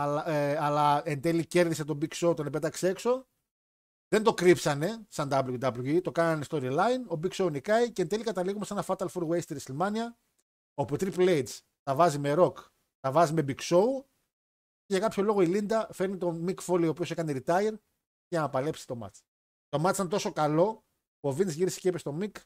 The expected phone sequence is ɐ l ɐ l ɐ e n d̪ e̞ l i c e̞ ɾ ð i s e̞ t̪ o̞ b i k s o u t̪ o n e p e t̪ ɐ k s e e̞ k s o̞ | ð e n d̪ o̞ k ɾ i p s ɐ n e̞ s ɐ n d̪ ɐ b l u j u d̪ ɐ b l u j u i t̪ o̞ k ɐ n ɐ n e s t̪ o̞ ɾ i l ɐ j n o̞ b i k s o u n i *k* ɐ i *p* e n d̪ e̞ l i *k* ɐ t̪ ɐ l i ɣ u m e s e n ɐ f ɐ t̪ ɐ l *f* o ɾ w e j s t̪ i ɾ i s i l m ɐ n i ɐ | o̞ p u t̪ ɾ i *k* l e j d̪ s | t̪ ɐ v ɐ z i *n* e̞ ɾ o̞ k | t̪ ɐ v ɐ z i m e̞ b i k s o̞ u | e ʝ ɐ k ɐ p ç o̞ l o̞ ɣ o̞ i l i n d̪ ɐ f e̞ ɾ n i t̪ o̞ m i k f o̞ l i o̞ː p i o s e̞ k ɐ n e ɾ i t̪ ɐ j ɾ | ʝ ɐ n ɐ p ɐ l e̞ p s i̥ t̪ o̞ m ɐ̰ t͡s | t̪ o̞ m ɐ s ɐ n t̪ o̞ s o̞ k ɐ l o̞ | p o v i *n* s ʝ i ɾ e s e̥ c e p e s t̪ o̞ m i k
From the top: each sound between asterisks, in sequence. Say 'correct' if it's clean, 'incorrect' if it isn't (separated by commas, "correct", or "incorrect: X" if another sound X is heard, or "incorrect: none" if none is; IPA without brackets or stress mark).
correct, incorrect: c, correct, correct, incorrect: p, incorrect: m, correct